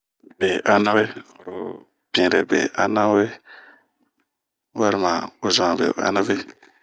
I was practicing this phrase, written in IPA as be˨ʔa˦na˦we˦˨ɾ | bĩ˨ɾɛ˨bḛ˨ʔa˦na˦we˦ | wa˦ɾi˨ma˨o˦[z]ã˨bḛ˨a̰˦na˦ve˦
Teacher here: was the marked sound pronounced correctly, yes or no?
yes